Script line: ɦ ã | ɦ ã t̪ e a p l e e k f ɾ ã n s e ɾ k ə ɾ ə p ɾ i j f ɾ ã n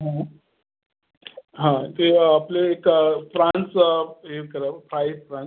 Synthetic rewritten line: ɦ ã | ɦ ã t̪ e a p l e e k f ɾ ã n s e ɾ k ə ɾ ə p ɾ a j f ɾ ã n